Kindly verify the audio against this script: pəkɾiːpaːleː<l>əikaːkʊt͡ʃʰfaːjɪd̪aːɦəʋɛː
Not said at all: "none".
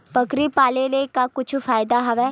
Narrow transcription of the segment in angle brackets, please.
l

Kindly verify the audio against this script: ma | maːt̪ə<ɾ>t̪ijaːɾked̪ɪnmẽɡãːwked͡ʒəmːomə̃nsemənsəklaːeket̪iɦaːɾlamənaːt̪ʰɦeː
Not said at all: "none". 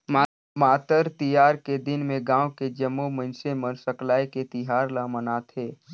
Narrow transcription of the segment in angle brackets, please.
ɾ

